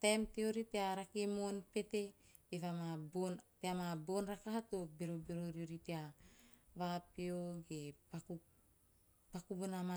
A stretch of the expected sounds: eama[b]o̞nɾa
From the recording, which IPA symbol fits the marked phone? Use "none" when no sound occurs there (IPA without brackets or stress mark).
b